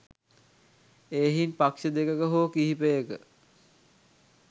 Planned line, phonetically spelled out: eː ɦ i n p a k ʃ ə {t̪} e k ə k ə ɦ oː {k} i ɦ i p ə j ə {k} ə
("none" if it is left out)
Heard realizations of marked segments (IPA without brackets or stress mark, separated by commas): d̪, k, k